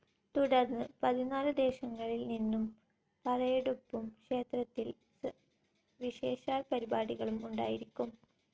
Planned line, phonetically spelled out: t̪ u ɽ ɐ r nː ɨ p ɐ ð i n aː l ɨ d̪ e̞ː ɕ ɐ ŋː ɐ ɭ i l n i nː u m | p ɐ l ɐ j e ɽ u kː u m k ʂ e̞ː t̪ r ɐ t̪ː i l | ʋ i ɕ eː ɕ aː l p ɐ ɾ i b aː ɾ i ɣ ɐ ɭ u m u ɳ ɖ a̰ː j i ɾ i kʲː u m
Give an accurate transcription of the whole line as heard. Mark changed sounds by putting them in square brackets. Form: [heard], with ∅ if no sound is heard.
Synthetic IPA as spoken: t̪ u ɽ ɐ r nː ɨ p ɐ ð i n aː l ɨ d̪ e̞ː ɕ ɐ ŋː ɐ ɭ i l n i nː u m | p ɐ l ɐ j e ɽ u [pː] u m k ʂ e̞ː t̪ r ɐ t̪ː i l | ʋ i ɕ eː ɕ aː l p ɐ ɾ i b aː [ɽ] i ɣ ɐ ɭ u m u ɳ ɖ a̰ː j i ɾ i kʲː u m

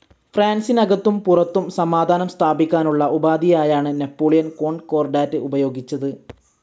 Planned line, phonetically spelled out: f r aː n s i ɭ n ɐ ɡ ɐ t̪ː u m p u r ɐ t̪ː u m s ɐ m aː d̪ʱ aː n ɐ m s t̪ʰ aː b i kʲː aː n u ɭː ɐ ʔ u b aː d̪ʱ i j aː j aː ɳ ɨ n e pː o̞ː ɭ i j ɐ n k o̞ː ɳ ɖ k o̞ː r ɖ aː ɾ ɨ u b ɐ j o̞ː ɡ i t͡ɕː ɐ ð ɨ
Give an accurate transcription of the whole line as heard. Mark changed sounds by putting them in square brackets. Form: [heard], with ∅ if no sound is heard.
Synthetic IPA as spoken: f r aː n s i [∅] n ɐ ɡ ɐ t̪ː u m p u r ɐ t̪ː u m s ɐ m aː d̪ʱ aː n ɐ m s t̪ʰ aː b i kʲː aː n u ɭː ɐ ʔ u b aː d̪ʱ i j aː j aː ɳ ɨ n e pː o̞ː ɭ i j ɐ n k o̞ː ɳ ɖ k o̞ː r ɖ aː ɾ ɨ u b ɐ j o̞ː ɡ i t͡ɕː ɐ ð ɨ

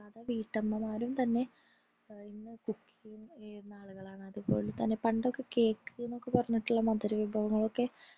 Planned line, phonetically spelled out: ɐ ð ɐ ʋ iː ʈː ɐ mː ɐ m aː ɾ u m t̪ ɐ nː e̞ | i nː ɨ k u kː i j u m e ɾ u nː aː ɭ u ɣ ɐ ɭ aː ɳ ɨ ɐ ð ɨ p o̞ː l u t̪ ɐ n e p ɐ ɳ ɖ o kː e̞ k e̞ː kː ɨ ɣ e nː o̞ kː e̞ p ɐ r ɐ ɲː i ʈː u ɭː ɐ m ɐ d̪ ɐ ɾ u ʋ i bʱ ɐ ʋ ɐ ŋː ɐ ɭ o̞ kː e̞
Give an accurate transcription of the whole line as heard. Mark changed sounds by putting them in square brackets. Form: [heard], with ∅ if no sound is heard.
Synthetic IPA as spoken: ɐ ð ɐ ʋ iː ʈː ɐ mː ɐ m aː ɾ u m t̪ ɐ nː e̞ | i nː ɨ k u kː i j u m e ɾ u nː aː ɭ u ɣ ɐ ɭ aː ɳ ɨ ɐ ð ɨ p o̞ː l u t̪ ɐ [nː] e p ɐ ɳ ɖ o kː e̞ k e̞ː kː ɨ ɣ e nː o̞ kː e̞ p ɐ r ɐ ɲː i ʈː u ɭː ɐ m ɐ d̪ ɐ ɾ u ʋ i bʱ ɐ ʋ ɐ ŋː ɐ ɭ o̞ kː e̞

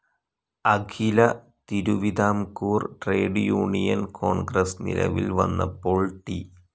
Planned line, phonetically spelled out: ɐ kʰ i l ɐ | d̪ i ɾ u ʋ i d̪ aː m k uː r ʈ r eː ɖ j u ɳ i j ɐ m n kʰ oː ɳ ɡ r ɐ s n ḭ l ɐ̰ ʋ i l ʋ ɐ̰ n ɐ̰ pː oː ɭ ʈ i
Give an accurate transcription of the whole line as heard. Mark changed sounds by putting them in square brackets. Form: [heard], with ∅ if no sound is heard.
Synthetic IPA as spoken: ɐ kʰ i l ɐ | [t̪] i ɾ u ʋ i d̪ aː m k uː r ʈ r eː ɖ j [uː] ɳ i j ɐ [∅] n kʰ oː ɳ ɡ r ɐ s n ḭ l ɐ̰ ʋ i l ʋ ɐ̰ [nː] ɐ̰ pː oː ɭ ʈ i

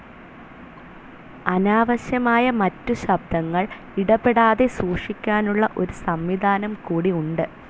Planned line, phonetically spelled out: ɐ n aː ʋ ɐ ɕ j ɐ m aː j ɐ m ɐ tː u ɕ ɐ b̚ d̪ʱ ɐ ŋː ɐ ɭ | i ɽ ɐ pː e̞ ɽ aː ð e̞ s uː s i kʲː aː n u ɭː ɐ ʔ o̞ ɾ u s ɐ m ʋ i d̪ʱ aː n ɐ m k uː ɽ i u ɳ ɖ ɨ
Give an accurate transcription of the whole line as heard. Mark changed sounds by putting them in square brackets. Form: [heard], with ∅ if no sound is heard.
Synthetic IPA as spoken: ɐ n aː ʋ ɐ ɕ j ɐ m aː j ɐ m ɐ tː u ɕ ɐ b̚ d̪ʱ ɐ ŋː ɐ ɭ | i ɽ ɐ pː e̞ ɽ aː ð e̞ s uː [ʂ] i kʲː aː n u ɭː ɐ ʔ o̞ ɾ u s ɐ m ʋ i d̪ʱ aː n ɐ m k uː ɽ i u ɳ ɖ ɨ

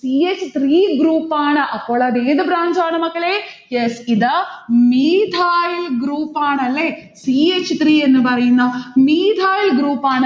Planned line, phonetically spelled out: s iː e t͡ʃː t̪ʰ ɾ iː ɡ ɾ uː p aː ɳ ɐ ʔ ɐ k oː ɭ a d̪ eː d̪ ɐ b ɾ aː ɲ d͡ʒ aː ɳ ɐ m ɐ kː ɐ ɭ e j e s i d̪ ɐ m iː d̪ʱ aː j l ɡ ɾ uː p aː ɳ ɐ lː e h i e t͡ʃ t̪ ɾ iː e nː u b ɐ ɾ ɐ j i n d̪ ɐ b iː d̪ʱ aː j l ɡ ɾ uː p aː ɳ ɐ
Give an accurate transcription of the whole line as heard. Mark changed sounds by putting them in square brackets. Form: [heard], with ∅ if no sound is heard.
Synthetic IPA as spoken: s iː e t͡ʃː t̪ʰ ɾ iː ɡ ɾ uː p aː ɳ ɐ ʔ ɐ k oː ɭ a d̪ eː d̪ ɐ b ɾ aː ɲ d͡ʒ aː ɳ ɐ m ɐ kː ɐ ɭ e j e s i d̪ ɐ m iː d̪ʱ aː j l ɡ ɾ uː p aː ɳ ɐ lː e [s] i e t͡ʃ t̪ ɾ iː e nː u b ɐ ɾ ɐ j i n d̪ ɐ [m] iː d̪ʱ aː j l ɡ ɾ uː p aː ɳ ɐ

